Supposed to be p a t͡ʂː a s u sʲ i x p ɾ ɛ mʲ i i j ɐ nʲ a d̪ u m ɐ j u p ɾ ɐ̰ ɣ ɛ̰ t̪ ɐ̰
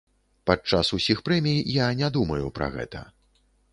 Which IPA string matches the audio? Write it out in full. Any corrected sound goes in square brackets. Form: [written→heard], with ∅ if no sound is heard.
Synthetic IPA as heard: p a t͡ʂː a s u sʲ i x p ɾ ɛ mʲ i [i→j] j [ɐ→a] nʲ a d̪ u m ɐ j u p ɾ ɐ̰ ɣ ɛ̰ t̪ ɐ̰